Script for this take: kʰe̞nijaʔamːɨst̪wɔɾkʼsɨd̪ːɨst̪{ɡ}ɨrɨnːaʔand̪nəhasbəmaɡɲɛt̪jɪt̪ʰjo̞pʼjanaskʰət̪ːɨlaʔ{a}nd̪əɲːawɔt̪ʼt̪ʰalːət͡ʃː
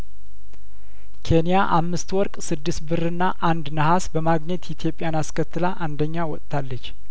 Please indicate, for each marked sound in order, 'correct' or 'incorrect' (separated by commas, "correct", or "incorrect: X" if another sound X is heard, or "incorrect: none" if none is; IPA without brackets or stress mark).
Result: incorrect: b, correct